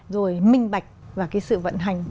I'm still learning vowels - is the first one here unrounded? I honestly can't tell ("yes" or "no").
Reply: no